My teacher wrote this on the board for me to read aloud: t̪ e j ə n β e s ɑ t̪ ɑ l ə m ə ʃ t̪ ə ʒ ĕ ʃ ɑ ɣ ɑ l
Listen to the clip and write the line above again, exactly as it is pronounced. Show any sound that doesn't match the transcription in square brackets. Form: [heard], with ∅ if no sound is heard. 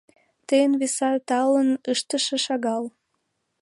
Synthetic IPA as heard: t̪ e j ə n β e s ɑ t̪ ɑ l ə [n] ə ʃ t̪ ə [ʃ] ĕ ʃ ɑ ɣ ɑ l